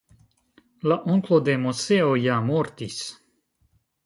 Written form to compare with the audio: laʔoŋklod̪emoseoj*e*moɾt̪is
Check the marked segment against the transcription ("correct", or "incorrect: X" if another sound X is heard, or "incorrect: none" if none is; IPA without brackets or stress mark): incorrect: a